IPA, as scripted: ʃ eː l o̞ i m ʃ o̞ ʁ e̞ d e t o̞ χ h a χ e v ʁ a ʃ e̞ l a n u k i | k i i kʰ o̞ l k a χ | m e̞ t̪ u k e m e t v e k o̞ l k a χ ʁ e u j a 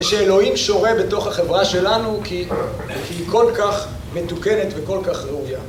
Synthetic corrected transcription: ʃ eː l o̞ i m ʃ o̞ ʁ e̞ b e t o̞ χ h a χ e v ʁ a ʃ e̞ l a n u k i | k i i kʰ o̞ l k a χ | m e̞ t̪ u k e n e t v e k o̞ l k a χ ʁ e u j a